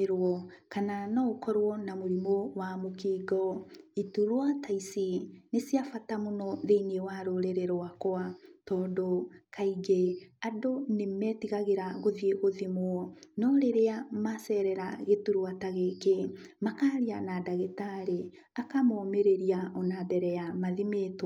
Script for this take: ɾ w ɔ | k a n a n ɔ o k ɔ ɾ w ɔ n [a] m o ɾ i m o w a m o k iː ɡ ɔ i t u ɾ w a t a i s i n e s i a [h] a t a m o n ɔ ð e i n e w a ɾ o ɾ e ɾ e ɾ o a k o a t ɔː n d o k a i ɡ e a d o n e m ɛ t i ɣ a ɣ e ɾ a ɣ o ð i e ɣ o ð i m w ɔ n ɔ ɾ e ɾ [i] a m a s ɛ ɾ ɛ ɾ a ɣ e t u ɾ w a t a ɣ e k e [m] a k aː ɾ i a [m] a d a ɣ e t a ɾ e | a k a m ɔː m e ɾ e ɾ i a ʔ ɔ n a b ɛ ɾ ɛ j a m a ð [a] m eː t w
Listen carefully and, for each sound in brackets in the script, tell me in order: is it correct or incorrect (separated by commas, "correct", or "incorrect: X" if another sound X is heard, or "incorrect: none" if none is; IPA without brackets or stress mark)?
correct, incorrect: f, incorrect: e, correct, incorrect: n, incorrect: i